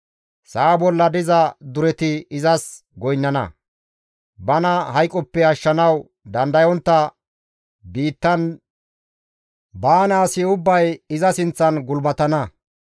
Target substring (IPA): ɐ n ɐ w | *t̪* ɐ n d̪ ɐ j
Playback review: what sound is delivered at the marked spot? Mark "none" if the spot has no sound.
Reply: d̪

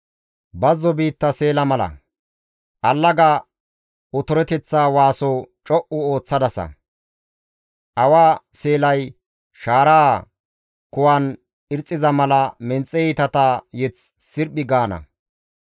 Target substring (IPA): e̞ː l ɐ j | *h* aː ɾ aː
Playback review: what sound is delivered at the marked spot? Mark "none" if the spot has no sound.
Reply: ʃ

